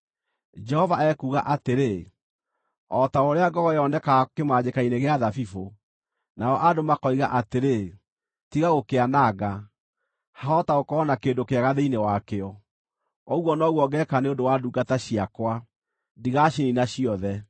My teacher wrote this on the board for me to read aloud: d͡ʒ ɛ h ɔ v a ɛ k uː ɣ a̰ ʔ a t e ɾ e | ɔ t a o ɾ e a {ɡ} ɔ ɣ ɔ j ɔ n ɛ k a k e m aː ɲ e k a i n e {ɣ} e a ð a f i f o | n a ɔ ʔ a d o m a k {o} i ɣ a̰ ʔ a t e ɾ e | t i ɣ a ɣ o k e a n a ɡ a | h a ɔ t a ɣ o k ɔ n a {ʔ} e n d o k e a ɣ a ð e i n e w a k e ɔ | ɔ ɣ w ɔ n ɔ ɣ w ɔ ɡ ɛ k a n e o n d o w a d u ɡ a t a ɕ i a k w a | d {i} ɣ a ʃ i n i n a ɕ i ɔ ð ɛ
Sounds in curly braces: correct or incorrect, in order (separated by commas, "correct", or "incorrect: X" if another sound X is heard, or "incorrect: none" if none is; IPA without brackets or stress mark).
correct, correct, incorrect: ɔ, incorrect: k, correct